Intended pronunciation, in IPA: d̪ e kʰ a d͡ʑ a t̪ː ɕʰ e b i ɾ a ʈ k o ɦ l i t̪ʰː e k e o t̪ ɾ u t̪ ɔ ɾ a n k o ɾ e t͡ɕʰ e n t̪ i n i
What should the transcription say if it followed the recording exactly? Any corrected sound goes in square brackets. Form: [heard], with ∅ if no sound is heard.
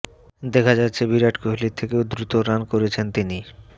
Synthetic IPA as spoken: d̪ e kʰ a d͡ʑ a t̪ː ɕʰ e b i ɾ a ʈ k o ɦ l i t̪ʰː e k e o [d̪] ɾ u t̪ [o] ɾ a n k o ɾ e t͡ɕʰ e n t̪ i n i